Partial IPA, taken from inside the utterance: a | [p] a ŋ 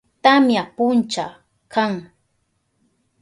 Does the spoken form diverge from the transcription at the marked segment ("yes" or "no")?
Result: yes